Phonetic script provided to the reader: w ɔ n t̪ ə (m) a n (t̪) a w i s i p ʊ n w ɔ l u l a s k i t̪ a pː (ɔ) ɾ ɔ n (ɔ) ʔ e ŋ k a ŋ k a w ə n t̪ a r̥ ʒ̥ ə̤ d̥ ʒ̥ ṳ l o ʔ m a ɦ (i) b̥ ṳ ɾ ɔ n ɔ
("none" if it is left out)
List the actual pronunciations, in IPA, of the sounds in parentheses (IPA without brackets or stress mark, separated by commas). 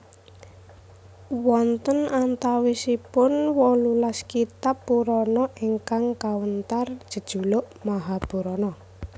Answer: n, t̪, u, ɔ, a